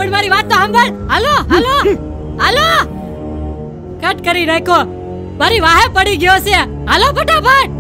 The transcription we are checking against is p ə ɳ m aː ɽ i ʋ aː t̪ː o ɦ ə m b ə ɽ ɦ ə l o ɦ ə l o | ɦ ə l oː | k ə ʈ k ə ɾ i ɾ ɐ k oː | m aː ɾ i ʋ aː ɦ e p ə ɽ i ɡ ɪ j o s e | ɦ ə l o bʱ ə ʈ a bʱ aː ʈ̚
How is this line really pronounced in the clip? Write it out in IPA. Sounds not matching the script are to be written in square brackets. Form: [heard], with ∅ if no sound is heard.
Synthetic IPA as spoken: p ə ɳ m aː [ɾ] i ʋ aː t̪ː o ɦ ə m b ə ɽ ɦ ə l o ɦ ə l o | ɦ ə l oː | k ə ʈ k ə ɾ i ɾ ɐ k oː | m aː ɾ i ʋ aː ɦ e p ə ɽ i ɡ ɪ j o s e | ɦ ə l o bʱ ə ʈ a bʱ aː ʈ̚